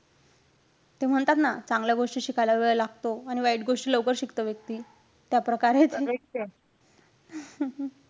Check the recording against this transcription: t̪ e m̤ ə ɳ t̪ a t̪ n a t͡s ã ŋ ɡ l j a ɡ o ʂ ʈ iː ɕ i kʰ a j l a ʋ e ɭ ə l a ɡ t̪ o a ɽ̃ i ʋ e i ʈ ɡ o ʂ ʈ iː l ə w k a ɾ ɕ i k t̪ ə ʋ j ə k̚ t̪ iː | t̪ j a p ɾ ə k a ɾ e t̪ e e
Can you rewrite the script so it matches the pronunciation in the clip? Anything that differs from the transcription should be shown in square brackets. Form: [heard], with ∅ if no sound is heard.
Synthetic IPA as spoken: t̪ e m̤ ə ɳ t̪ a t̪ n a t͡s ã ŋ ɡ l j a ɡ o ʂ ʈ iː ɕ i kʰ a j l a ʋ e ɭ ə l a ɡ t̪ o a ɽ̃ i ʋ [a] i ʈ ɡ o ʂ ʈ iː l ə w k [ə] ɾ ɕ i k t̪ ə ʋ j ə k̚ t̪ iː | t̪ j a p ɾ ə k a ɾ e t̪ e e